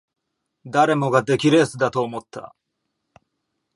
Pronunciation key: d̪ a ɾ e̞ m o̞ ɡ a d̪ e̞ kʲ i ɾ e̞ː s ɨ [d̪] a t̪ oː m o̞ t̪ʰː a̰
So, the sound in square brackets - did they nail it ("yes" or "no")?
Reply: yes